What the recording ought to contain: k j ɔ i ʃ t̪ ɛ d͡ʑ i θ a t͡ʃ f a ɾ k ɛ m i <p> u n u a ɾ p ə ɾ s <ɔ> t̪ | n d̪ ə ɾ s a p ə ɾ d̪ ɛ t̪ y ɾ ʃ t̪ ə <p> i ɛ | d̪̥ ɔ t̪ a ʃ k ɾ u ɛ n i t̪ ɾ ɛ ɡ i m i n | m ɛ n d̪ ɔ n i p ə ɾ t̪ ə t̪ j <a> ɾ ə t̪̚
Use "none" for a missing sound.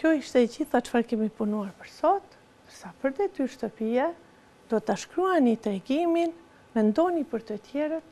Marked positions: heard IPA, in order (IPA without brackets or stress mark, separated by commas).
p, ɔ, p, ɛ